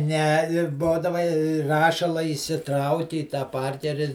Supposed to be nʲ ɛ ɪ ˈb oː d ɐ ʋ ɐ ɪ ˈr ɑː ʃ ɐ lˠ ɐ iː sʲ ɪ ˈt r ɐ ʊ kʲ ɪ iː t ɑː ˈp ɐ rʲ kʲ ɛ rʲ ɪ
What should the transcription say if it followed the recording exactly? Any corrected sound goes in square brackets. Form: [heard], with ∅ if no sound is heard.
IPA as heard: nʲ ɛ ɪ ˈb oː d ɐ ʋ ɐ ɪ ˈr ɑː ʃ ɐ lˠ ɐ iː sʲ ɪ ˈt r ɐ ʊ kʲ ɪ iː t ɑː ˈp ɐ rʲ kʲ ɛ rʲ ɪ